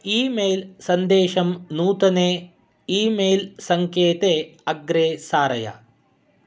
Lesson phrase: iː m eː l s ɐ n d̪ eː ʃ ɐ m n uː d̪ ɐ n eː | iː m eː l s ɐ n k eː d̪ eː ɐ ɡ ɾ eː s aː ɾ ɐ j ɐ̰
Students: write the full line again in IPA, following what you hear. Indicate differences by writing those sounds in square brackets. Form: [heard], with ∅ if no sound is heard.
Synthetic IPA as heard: iː m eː l s ɐ n d̪ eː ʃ ɐ m n uː [t̪] ɐ n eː | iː m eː l s ɐ [ŋ] k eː [t̪] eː ɐ ɡ ɾ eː s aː ɾ ɐ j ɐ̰